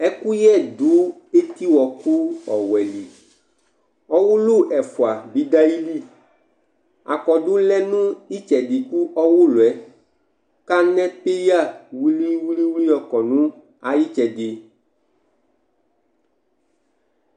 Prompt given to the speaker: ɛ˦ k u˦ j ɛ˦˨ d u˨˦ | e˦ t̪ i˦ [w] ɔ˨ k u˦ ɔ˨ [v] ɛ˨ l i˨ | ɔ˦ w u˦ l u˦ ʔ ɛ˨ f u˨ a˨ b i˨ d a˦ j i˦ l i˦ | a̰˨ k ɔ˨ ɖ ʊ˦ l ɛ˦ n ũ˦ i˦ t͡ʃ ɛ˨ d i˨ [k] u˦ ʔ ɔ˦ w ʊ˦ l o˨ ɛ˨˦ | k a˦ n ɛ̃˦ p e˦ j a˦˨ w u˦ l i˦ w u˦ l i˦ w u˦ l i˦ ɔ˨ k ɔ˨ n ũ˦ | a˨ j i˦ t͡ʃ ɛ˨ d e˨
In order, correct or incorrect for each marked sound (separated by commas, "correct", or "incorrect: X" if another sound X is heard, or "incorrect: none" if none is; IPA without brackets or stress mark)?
correct, incorrect: w, correct